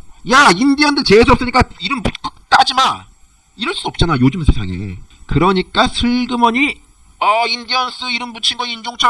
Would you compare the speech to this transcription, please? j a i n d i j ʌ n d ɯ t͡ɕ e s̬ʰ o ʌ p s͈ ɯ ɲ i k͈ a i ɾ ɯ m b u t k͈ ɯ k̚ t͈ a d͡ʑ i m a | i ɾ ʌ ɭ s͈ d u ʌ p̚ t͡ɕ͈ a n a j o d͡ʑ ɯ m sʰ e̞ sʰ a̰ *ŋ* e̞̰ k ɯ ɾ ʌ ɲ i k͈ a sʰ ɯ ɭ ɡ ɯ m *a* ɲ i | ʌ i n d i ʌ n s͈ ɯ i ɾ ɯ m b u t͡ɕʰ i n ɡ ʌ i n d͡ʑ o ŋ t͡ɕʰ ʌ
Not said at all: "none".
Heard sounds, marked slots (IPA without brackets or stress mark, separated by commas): ŋ, ʌ